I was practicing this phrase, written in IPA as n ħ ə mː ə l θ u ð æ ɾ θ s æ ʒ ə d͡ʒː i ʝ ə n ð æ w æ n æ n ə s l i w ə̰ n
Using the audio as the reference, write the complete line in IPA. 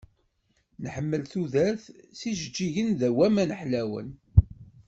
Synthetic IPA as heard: n ħ ə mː ə l θ u ð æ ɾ θ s i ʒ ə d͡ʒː i ʝ ə n ð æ w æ m æ n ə ħ l æ w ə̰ n